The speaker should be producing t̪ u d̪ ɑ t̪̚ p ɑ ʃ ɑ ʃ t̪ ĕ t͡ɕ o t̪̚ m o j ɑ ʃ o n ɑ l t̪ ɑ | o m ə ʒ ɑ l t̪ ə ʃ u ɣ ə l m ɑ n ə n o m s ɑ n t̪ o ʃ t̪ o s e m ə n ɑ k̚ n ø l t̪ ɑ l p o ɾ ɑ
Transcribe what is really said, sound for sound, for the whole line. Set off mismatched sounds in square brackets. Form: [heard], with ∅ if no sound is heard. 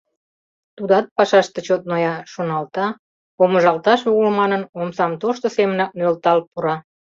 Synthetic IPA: t̪ u d̪ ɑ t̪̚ p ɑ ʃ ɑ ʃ t̪ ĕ t͡ɕ o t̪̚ [n] o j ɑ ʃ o n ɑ l t̪ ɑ | o m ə ʒ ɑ l t̪ [ɑ] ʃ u ɣ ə l m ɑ n ə n o m s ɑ [m] t̪ o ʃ t̪ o s e m ə n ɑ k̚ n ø l t̪ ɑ l p [u] ɾ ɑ